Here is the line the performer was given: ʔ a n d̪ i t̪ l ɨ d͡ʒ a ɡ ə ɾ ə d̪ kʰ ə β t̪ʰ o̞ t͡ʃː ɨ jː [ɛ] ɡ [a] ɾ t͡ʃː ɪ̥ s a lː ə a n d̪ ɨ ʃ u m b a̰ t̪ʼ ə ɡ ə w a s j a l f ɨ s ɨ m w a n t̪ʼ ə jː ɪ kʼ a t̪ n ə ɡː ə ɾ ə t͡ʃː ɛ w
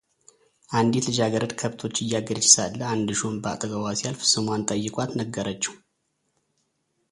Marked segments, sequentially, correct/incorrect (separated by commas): incorrect, incorrect